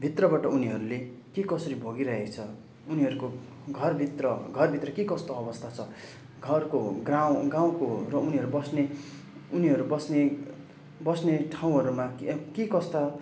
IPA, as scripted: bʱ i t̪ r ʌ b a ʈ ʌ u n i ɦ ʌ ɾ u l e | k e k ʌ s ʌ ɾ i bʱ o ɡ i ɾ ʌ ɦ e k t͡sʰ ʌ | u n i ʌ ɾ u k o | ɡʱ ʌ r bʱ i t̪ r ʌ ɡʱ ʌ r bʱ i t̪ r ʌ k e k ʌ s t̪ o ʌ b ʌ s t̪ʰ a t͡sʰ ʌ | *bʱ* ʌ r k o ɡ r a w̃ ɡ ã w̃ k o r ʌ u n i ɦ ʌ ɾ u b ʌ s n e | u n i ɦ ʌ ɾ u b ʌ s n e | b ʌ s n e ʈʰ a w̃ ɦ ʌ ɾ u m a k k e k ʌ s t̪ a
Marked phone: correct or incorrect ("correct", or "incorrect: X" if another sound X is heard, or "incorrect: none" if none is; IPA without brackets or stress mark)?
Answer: incorrect: ɡʱ